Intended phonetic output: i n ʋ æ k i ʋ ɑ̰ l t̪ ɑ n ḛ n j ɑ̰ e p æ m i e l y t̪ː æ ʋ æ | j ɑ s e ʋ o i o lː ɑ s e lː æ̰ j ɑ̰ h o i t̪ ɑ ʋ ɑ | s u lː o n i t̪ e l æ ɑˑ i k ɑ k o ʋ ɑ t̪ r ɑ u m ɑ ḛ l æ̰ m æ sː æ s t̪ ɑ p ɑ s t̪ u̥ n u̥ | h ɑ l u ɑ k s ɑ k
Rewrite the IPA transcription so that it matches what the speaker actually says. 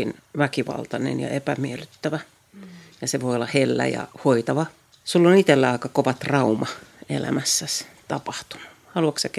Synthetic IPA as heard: i n ʋ æ k i ʋ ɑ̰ l t̪ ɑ n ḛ n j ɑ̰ e p æ m i e l y t̪ː æ ʋ æ | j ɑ s e ʋ o i o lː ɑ h e lː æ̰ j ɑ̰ h o i t̪ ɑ ʋ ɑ | s u lː o n i t̪ e lː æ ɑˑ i k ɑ k o ʋ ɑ t̪ r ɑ u m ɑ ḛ l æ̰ m æ sː æ s t̪ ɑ p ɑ h t̪ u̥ n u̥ | h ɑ l u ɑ k s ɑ k